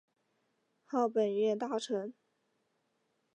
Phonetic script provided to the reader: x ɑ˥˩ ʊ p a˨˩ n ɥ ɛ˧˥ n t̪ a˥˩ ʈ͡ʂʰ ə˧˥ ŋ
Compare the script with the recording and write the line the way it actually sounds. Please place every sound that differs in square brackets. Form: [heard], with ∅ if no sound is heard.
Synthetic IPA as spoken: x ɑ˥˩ ʊ p [ə˨˩] n ɥ [ɛ˥˧] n t̪ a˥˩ ʈ͡ʂʰ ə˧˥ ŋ